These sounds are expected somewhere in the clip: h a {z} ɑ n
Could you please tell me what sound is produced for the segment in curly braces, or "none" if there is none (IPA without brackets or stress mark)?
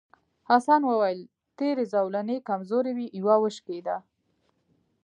s